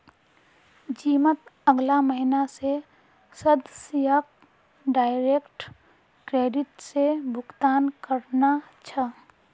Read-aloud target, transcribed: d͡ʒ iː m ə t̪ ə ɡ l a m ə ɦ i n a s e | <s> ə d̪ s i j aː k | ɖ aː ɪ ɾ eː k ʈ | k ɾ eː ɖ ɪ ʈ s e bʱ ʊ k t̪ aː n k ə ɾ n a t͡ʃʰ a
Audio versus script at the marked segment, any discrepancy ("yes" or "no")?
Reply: no